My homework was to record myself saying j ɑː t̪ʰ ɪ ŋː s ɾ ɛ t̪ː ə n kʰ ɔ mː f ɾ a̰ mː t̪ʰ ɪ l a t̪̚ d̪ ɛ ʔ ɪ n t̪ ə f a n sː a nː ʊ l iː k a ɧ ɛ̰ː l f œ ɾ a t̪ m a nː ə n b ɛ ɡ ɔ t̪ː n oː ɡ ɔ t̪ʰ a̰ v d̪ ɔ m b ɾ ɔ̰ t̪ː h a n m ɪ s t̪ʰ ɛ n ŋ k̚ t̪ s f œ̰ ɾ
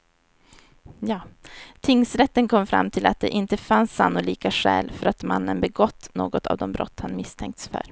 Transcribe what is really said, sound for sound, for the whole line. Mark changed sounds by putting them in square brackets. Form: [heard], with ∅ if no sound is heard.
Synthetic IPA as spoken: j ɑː t̪ʰ ɪ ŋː s ɾ ɛ t̪ː ə n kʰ ɔ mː f ɾ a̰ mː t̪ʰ ɪ l a t̪̚ d̪ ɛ ʔ ɪ n t̪ ə f a n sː a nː ʊ l iː k a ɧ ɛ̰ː l f œ ɾ a t̪ m a nː ə n b ɛ ɡ ɔ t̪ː n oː ɡ ɔ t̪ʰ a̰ v d̪ ɔ m b ɾ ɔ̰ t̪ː h a n m ɪ s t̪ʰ ɛ [∅] ŋ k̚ t̪ s f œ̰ ɾ